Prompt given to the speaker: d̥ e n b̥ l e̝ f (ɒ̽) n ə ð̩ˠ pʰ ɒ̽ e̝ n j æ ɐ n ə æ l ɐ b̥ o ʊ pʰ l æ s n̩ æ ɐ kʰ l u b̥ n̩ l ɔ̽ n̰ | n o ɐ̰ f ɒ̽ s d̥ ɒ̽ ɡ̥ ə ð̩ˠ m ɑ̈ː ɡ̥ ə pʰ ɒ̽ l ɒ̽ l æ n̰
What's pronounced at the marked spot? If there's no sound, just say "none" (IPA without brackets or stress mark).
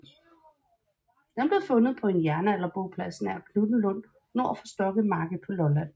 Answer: ɔ̽